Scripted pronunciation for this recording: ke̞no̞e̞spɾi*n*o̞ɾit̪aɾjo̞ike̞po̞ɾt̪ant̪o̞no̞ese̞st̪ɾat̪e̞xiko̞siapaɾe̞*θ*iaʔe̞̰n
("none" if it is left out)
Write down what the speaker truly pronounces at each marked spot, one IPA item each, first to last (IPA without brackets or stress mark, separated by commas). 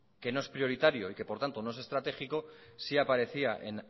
none, θ